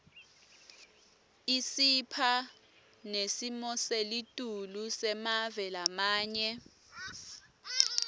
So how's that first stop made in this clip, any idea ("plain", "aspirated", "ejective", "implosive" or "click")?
aspirated